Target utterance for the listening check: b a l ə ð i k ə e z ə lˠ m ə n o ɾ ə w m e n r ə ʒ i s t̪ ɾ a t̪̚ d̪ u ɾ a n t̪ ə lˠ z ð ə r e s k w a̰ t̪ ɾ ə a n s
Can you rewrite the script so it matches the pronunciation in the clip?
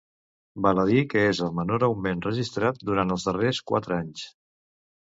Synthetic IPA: b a l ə ð i k ə e z ə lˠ m ə n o ɾ ə w m e n r ə ʒ i s t̪ ɾ a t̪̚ d̪ u ɾ a n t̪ ə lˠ z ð ə r e s k w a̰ t̪ ɾ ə a ɲ s